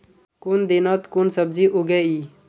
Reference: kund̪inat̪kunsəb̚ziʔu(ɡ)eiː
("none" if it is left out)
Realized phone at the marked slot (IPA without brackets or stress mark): ɡ